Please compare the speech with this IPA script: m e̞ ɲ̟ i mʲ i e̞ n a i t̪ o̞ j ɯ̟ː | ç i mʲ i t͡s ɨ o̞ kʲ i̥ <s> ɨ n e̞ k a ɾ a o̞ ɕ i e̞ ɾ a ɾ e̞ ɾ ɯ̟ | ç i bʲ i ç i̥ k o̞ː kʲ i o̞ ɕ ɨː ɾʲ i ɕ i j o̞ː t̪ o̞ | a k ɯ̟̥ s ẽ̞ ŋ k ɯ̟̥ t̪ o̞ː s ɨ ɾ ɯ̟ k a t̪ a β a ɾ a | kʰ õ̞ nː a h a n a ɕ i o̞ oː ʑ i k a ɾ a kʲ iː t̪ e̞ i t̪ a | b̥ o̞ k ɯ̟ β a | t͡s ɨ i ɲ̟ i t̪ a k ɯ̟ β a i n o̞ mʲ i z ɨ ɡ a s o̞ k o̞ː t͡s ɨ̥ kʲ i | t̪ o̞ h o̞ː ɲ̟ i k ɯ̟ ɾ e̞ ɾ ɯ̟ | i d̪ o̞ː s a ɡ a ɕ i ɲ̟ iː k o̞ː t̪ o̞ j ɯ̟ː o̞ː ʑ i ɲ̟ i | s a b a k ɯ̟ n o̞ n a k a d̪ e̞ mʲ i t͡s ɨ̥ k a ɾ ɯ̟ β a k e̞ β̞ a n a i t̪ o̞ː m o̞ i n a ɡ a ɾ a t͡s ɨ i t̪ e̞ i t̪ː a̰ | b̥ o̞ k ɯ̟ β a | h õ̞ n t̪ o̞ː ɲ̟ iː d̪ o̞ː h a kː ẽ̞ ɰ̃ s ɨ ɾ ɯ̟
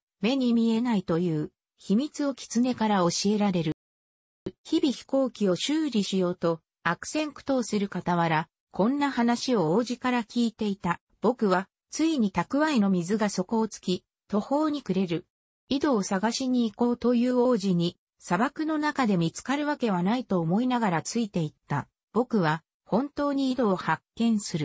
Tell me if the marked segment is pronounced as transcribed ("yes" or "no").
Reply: no